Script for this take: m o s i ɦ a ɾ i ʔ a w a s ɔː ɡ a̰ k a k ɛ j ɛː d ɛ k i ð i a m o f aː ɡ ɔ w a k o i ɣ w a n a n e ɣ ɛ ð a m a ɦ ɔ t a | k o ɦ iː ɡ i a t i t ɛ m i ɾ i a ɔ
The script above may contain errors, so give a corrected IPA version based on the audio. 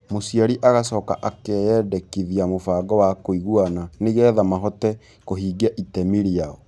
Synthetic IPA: m o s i a ɾ i ʔ a ɣ a s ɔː k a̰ ʔ a k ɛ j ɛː d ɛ k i ð i a m o f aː ɡ ɔ w a k o i ɣ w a n a n e ɣ ɛ ð a m a ɦ ɔ t ɛ | k o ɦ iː ɡ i a ʔ i t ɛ m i ɾ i a ɔ

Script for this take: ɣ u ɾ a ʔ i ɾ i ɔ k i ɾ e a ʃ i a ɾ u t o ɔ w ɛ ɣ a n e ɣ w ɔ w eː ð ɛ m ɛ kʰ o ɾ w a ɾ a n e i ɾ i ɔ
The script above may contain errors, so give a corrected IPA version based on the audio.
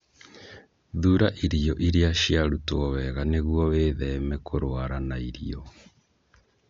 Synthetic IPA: ð u ɾ a ʔ i ɾ i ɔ ʔ i ɾ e a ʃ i a ɾ u t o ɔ w ɛ ɣ a n e ɣ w ɔ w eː ð ɛ m ɛ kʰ o ɾ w a ɾ a n a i ɾ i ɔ

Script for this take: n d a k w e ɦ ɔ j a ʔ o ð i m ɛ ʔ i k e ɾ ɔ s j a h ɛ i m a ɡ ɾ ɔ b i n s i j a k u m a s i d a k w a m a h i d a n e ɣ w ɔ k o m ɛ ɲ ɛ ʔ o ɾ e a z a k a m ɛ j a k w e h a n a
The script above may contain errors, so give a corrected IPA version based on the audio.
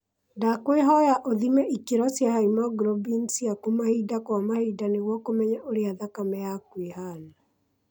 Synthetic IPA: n d a k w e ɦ ɔ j a ʔ o ð i m ɛ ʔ i k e ɾ ɔ s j a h a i m a ɡ ɾ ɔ b i n s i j a k u m a h i d a k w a m a h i d a n e ɣ w ɔ k o m ɛ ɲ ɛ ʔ o ɾ e a ð a k a m ɛ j a k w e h a n a

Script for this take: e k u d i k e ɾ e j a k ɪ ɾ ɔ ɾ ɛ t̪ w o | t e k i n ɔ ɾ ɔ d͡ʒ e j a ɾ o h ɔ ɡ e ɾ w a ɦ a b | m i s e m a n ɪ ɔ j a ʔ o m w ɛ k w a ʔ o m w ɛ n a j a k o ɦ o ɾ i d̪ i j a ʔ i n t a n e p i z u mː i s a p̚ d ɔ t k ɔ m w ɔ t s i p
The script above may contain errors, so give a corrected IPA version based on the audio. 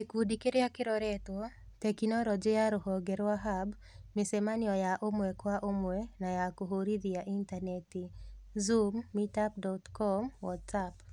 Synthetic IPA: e k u d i k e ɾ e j a k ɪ ɾ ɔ ɾ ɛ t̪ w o | t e k i n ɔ ɾ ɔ d͡ʒ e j a ɾ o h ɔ ɡ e ɾ w a ɦ a b | m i s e m a n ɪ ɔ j a ʔ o m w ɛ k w a ʔ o m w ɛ n a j a k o ɦ o ɾ i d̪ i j a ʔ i n t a n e t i z u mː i t a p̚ d ɔ t k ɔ m w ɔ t s a p

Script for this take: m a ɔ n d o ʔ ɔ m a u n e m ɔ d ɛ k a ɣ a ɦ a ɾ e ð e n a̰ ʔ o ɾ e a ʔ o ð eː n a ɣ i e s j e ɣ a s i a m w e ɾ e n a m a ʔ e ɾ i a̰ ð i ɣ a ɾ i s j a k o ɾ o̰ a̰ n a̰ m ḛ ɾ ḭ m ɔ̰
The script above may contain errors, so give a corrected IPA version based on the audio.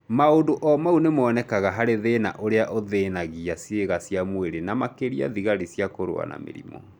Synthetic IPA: m a o n d o ʔ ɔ m a u n e m ɔ n ɛ k a ɣ a ɦ a ɾ e ð e n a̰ ʔ o ɾ e a ʔ o ð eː n a ɣ i a s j e ɣ a s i a m w e ɾ e n a m a k e ɾ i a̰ ð i ɣ a ɾ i s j a k o ɾ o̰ a̰ n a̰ m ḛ ɾ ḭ m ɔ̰

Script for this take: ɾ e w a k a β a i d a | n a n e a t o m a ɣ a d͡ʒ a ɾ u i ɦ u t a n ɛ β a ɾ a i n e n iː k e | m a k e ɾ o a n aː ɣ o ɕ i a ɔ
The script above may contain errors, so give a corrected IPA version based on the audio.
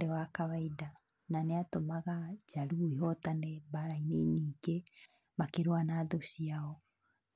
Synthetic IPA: ɾ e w a k a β a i d a | n a n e a t o m a ɣ a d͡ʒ a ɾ u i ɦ ɔ t a n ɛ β a ɾ a i n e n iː k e | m a k e ɾ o a n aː ð o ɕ i a ɔ

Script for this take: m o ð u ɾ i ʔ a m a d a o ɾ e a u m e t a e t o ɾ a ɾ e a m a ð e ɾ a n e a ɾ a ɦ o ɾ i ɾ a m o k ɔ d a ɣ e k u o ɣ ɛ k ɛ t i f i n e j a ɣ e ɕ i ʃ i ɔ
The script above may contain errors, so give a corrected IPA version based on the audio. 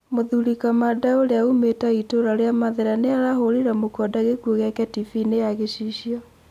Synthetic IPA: m o ð u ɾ i k a m a d a o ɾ e a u m e t a i t o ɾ a ɾ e a m a ð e ɾ a n e a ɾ a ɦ o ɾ i ɾ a m o k ɔ d a ɣ e k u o ɣ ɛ k ɛ t i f i n e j a ɣ e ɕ i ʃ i ɔ

